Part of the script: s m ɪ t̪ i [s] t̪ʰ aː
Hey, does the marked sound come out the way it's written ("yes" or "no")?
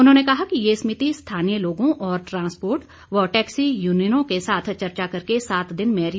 yes